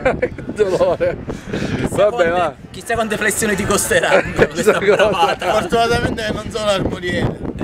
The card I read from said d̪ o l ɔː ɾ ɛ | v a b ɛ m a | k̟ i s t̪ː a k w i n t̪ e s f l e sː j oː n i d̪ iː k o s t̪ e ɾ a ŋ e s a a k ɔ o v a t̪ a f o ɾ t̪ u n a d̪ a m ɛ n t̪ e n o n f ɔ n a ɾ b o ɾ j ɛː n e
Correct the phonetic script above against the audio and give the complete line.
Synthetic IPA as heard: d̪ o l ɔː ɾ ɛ | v a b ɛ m a | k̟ i s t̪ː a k w a n t̪ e f l e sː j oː n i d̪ i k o s t̪ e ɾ a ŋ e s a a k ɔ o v a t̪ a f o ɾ t̪ u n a t̪ a m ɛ n t̪ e n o n s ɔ n a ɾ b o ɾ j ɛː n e